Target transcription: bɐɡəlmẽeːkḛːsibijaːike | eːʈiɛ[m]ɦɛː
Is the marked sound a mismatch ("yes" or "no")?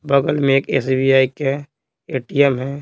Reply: no